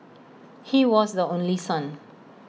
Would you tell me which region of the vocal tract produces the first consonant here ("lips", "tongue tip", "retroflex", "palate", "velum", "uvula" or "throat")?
throat